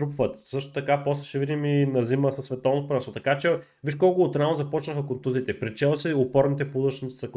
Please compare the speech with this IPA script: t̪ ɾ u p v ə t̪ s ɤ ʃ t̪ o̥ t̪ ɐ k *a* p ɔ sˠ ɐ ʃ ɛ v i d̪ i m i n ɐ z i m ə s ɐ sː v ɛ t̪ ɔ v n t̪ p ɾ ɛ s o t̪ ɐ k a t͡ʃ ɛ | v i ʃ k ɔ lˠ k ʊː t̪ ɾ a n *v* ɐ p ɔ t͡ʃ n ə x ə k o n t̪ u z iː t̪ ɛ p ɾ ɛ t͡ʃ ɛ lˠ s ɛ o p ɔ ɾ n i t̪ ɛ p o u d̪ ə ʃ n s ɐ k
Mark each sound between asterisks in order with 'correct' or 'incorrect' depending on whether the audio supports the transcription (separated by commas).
correct, incorrect